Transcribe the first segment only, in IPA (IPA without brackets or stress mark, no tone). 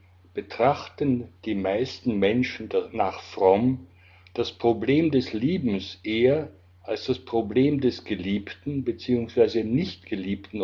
b̥